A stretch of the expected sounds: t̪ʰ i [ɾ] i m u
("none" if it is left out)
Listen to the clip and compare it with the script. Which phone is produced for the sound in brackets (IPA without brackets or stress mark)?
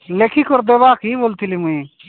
l